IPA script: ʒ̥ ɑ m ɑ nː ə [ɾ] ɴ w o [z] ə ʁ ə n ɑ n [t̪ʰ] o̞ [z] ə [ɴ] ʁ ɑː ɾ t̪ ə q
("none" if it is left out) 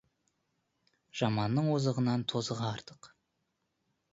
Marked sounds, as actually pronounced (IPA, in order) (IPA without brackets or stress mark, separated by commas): none, z, t̪ʰ, z, none